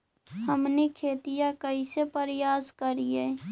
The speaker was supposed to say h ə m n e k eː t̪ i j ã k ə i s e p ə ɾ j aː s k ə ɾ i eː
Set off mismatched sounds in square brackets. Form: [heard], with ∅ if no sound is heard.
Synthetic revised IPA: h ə m n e [kʰ] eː t̪ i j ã k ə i s e p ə ɾ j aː s k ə ɾ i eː